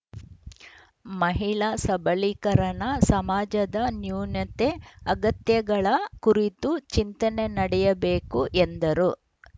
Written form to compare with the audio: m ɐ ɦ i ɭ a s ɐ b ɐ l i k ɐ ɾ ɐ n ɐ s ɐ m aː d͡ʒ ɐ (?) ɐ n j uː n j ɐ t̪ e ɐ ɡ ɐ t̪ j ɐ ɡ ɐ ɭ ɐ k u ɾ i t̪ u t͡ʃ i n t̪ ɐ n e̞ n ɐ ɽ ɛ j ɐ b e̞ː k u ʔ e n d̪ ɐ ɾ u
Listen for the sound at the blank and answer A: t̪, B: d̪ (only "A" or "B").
B